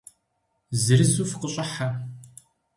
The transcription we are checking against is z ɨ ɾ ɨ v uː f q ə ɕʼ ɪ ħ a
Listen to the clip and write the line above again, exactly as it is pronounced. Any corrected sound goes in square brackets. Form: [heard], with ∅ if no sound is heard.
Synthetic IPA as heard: z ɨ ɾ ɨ [z] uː f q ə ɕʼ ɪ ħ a